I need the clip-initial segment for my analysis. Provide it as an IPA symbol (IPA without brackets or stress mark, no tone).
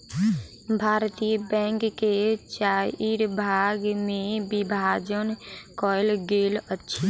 bʱ